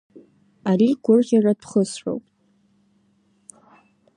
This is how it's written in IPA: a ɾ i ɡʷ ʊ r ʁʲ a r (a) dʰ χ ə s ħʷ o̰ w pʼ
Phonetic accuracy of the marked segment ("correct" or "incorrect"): correct